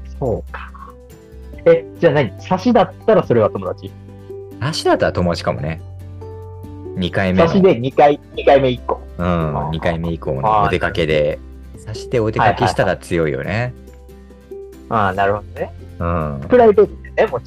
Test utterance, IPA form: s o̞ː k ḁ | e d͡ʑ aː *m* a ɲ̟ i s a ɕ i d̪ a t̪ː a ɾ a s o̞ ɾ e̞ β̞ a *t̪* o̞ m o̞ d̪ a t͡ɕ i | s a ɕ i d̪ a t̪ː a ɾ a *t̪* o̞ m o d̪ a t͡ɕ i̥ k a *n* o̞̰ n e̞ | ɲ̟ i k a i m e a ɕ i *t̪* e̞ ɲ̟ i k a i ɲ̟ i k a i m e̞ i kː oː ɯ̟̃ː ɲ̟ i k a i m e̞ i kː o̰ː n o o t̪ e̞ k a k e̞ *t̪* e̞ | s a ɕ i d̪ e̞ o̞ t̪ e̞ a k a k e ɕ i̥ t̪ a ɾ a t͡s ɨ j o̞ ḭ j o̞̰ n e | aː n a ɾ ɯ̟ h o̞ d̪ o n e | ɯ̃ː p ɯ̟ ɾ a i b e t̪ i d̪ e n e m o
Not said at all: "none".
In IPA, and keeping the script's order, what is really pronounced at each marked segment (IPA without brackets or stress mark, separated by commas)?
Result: n, t̪, t̪, m, d̪, d̪